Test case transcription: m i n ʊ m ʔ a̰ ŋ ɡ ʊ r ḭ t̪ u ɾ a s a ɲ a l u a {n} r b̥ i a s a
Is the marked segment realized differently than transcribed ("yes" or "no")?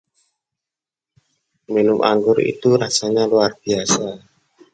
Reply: yes